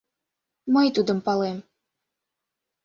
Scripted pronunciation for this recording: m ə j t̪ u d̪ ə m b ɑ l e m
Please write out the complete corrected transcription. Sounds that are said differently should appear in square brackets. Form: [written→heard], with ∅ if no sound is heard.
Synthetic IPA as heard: m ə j t̪ u d̪ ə m [b→p] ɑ l e m